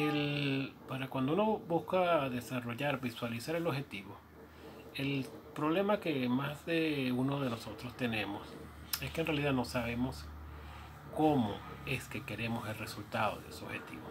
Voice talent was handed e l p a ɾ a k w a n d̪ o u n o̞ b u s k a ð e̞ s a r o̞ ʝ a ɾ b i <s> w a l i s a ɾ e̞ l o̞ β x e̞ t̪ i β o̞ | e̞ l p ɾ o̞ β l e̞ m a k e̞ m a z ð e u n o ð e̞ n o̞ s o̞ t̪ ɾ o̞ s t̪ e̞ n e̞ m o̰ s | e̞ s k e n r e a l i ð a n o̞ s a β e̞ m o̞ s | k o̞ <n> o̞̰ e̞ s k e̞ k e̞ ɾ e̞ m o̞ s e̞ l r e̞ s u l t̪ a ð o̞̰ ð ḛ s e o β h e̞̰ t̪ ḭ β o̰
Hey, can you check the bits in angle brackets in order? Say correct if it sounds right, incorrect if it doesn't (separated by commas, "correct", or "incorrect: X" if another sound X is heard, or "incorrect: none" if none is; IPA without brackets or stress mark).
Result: correct, incorrect: m